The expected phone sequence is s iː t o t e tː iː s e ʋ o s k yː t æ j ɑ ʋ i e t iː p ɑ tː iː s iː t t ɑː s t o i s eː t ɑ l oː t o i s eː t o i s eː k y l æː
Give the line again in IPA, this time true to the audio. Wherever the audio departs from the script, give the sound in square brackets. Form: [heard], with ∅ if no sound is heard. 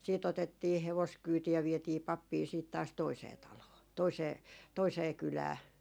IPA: s iː t o t e tː iː [h] e ʋ o s k yː t [i] j ɑ ʋ i e t iː p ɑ [pː] iː s iː t t ɑː s t o i s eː t ɑ l oː t o i s eː t o i s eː k y l æː

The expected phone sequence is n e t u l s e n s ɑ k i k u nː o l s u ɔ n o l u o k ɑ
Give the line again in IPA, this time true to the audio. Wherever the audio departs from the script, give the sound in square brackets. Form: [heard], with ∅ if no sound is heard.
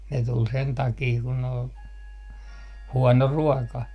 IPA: n e t u l s e n [t] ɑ k [iː] k u [n] o l [h] u ɔ n o [r] u [ɔ] k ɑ

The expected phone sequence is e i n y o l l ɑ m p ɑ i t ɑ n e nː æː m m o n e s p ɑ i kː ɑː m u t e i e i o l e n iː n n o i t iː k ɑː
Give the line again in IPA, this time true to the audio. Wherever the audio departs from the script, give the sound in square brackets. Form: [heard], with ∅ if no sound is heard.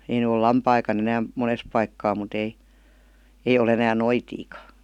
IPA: e i n y o l l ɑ m p ɑ i [k] ɑ n e [n] æː m m o n e s p ɑ i kː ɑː m u t e i e i o l e n [æː] n n o i t iː k [ɑ]

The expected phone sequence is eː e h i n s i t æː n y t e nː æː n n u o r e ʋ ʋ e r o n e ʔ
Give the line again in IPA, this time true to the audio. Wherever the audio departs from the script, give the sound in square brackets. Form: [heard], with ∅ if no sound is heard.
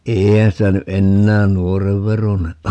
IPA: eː [i] h [æ] n s i t [æ] n y [ʔ] e nː æː n n u o r e ʋ ʋ e r o n e ʔ

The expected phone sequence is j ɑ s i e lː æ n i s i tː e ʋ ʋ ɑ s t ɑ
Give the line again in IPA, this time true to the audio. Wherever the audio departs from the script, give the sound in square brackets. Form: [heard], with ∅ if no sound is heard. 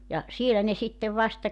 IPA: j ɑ s i e [l] æ n [e] s i tː e ʋ ʋ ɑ s t ɑ

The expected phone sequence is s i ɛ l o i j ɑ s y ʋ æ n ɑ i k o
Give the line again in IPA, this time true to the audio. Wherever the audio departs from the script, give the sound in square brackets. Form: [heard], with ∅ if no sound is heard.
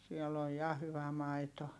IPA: s i ɛ l o [j] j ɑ [h] y ʋ æ [m] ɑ i [t] o

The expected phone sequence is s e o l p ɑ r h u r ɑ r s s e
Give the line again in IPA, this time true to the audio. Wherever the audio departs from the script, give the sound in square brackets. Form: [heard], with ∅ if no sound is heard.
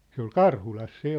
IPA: s e o l [k] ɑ r h u [l] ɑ [∅] s s e

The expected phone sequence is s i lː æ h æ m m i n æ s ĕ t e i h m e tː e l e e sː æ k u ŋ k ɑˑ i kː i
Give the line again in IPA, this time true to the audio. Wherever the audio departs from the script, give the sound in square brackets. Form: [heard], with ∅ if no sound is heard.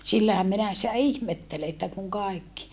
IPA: s i lː æ h æ m m i n æ s [ĭ] t [æ] i h m e tː e l e e [tː] æ k u ŋ k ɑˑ i kː i

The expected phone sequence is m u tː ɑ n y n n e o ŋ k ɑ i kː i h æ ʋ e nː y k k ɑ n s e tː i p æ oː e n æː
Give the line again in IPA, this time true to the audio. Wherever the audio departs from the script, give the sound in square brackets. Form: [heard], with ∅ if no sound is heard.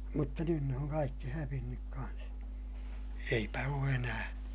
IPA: m u tː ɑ n y n n e o ŋ k ɑ i kː i h æ ʋ [i] nː y k k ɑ n s e [∅] i p æ oː e n æː

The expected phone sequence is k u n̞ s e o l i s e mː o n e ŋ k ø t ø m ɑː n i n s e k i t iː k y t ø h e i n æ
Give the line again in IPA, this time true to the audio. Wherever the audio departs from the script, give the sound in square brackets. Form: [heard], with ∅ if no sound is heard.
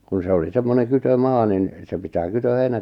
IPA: k u n̞ s e o l i s e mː o n e ŋ k [y] t ø m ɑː n i n s e [p] i t [æː] k y t ø h e i n æ

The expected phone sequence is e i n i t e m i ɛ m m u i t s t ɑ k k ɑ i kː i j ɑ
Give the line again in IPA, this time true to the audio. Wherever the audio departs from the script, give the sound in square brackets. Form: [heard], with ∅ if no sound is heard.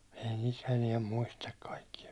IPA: e i n i t e [n] i ɛ m m u i [∅] s t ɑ k k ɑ i kː i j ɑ

